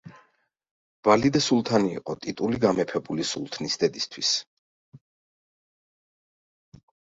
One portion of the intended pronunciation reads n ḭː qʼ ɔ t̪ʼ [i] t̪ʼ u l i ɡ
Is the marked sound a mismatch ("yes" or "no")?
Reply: no